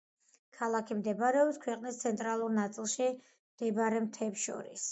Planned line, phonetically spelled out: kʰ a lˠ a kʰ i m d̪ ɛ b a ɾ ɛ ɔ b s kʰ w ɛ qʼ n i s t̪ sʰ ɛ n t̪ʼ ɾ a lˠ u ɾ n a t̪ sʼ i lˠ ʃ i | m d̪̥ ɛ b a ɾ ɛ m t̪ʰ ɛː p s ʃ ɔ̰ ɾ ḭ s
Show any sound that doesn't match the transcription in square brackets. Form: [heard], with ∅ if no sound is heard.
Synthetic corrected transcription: kʰ a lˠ a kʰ i m d̪ ɛ b a ɾ ɛ ɔ b s kʰ w ɛ qʼ n i s t̪ sʰ ɛ n t̪ʼ ɾ a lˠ u ɾ n a t̪ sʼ i lˠ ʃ i | m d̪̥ ɛ b a ɾ ɛ m t̪ʰ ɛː p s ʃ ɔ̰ ɾ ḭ s

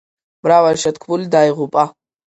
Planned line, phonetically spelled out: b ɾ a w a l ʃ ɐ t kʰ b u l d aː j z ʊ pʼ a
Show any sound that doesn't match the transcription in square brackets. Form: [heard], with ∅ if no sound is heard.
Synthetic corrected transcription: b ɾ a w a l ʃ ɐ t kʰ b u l d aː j [ʁ] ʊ pʼ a

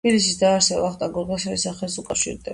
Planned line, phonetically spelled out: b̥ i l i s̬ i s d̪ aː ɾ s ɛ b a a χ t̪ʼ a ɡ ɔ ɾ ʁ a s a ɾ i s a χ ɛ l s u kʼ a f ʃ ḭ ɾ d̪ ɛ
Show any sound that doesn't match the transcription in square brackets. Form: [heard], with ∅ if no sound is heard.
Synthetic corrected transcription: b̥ i l i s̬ i s d̪ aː ɾ s ɛ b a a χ t̪ʼ a ɡ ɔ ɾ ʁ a s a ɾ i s a χ ɛ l s u kʼ a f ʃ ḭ ɾ d̪ ɛ

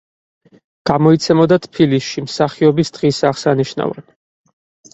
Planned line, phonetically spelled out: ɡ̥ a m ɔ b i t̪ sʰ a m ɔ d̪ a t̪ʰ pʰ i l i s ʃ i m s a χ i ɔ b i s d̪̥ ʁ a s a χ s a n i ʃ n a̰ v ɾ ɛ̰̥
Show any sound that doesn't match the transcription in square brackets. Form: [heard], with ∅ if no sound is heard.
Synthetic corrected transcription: ɡ̥ a m ɔ [∅] i t̪ sʰ [ɛ] m ɔ d̪ a t̪ʰ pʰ i l i s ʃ i m s a χ i ɔ b i s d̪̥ ʁ [i] s a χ s a n i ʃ n a̰ v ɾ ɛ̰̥

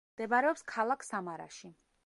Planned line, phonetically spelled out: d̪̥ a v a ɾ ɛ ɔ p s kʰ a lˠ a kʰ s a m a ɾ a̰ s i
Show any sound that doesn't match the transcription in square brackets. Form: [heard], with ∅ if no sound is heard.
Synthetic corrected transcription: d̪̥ [ɛ] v a ɾ ɛ ɔ p s kʰ a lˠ a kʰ s a m a ɾ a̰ [ʃ] i

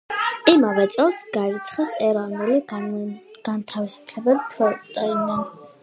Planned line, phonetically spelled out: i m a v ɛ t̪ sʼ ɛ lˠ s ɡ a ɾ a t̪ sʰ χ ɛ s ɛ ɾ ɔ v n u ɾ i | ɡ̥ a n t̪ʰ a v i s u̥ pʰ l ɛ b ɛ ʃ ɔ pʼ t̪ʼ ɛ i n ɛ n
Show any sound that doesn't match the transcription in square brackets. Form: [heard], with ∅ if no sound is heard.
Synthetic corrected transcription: i m a v ɛ t̪ sʼ ɛ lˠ s ɡ a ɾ [i] t̪ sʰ χ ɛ s ɛ ɾ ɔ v n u [l] i | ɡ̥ a n t̪ʰ a v i s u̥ pʰ l ɛ b ɛ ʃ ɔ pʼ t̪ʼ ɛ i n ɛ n

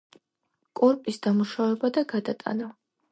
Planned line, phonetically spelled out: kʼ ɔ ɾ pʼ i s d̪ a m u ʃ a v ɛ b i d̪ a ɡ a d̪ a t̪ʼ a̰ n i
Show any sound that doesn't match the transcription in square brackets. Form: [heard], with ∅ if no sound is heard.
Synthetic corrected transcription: kʼ ɔ ɾ pʼ i s d̪ a m u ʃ a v ɛ b [a] d̪ a ɡ a d̪ a t̪ʼ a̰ n [a]

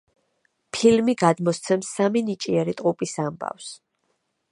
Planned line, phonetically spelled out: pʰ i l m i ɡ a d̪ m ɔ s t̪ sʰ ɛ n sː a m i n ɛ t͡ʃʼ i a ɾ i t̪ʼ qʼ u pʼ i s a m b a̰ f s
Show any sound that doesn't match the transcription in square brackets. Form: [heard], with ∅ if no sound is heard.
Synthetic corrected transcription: pʰ i l m i ɡ a d̪ m ɔ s t̪ sʰ ɛ [m] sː a m i n [i] t͡ʃʼ i [ɛ] ɾ i t̪ʼ qʼ u pʼ i s a m b a̰ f s

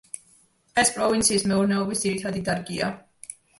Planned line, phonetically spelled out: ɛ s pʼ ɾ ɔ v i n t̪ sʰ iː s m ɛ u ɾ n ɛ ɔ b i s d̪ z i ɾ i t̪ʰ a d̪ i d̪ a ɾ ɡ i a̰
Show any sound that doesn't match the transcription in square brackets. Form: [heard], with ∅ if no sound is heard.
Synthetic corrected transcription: ɛ s pʼ ɾ ɔ v i n t̪ sʰ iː s m ɛ u ɾ n ɛ ɔ b i s d̪ z i ɾ i t̪ʰ a d̪ i d̪ a ɾ ɡ i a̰

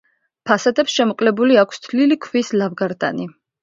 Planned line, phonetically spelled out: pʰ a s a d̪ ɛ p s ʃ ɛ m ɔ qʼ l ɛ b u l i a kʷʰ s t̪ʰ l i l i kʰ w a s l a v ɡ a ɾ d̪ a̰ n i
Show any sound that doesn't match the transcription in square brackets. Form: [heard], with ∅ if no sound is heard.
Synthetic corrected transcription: pʰ a s a d̪ ɛ p s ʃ ɛ m ɔ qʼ l ɛ b u l i a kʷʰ s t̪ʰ l i l i kʰ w [i] s l a v ɡ a ɾ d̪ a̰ n i

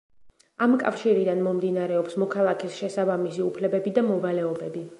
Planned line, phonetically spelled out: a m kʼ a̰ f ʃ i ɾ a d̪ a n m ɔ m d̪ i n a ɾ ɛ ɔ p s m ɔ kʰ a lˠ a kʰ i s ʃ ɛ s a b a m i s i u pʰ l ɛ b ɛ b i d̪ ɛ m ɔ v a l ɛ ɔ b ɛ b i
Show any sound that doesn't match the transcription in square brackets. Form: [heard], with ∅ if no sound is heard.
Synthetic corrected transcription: a m kʼ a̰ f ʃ i ɾ [i] d̪ a n m ɔ m d̪ i n a ɾ ɛ ɔ p s m ɔ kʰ a lˠ a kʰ i s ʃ ɛ s a b a m i s i u pʰ l ɛ b ɛ b i d̪ [a] m ɔ v a l ɛ ɔ b ɛ b i

